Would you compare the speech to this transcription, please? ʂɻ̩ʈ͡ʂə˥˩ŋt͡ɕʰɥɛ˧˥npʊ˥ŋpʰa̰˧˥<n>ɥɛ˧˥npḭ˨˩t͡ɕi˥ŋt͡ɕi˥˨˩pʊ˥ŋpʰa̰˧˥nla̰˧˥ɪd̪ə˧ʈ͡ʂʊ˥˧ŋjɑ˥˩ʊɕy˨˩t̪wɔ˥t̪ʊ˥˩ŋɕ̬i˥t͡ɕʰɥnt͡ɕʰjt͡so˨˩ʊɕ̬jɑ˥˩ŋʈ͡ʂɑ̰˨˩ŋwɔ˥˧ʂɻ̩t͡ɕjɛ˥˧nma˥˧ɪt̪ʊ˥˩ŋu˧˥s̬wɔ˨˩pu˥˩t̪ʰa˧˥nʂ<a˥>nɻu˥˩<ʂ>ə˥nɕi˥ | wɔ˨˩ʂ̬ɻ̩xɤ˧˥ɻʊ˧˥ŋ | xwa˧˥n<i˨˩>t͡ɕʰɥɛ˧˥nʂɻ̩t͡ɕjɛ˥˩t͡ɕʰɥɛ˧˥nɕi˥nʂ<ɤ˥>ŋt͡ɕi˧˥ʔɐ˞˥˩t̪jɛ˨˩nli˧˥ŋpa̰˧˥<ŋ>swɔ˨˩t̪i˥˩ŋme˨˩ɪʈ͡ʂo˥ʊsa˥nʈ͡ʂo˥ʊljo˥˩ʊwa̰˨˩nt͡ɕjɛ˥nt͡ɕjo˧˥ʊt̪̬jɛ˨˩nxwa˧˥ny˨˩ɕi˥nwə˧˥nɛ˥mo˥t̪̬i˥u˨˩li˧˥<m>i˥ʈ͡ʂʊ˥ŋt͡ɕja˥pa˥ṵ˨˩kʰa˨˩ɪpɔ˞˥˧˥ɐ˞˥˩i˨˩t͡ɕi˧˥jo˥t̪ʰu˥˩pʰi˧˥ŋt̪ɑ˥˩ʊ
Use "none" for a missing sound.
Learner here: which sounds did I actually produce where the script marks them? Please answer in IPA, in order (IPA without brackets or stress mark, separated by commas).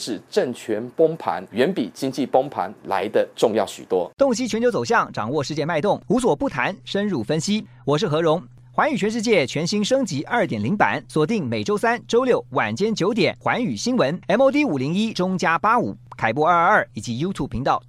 n, ə˥, f, y˨˩, ɤ˥, n, ŋ